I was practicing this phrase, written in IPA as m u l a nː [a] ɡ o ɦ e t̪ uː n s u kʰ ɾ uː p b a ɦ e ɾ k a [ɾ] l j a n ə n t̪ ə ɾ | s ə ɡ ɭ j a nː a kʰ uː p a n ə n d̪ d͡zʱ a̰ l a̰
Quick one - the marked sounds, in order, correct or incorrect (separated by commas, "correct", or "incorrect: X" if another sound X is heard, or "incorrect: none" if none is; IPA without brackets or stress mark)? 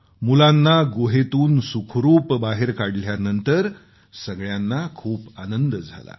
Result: correct, incorrect: ɽ